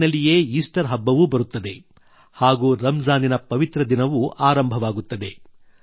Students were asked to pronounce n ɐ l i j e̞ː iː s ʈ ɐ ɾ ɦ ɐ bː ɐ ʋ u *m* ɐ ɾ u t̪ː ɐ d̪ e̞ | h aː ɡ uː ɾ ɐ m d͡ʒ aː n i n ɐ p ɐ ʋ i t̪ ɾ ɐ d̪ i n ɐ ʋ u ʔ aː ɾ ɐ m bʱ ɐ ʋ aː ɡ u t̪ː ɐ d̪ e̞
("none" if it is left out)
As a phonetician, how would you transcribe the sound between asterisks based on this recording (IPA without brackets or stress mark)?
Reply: b